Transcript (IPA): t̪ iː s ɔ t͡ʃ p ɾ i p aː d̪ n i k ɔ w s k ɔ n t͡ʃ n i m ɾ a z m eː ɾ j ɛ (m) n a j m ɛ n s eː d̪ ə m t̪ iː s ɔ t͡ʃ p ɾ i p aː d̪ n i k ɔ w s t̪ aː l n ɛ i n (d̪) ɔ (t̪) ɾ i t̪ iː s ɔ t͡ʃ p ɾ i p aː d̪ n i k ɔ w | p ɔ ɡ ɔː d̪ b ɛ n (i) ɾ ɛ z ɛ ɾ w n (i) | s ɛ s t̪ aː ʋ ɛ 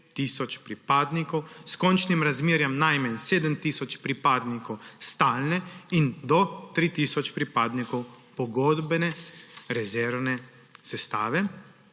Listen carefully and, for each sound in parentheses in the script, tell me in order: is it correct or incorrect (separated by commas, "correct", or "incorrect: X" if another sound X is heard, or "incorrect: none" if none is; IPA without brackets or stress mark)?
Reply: correct, correct, correct, incorrect: ɛ, incorrect: ɛ